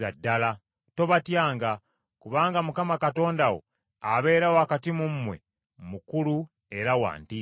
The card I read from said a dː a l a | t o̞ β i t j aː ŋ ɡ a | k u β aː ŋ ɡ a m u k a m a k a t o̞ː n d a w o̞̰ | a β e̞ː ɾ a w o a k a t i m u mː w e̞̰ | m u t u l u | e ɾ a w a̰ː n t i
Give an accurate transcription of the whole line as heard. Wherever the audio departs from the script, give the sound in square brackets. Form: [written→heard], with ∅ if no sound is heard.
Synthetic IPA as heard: a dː a l a | t o̞ β [i→a] t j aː ŋ ɡ a | k u β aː ŋ ɡ a m u k a m a k a t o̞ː n d a w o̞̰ | a β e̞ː ɾ a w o a k a t i m u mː w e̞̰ | m u [t→k] u l u | e ɾ a w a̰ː n t i